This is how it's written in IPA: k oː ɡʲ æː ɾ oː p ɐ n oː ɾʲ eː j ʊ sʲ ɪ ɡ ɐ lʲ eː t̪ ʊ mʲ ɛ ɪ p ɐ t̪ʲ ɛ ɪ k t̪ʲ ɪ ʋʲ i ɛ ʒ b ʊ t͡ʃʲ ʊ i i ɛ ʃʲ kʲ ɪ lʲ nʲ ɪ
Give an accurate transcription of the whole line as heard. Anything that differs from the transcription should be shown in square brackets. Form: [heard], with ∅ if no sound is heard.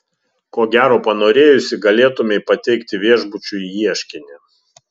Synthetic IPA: k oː ɡʲ æː ɾ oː p ɐ n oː ɾʲ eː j ʊ sʲ ɪ ɡ ɐ lʲ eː t̪ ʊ mʲ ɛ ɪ p ɐ t̪ʲ ɛ ɪ k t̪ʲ ɪ ʋʲ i ɛ ʒ b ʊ t͡ʃʲ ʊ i i ɛ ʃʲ kʲ ɪ [∅] nʲ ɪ